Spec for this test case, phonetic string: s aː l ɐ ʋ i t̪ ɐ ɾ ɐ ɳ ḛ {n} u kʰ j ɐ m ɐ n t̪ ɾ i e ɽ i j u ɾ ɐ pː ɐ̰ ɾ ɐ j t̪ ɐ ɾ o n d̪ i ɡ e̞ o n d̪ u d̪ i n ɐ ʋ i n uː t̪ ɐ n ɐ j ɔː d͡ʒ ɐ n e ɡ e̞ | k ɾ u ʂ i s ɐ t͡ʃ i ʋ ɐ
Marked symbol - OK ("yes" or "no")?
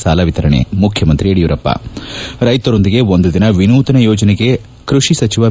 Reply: no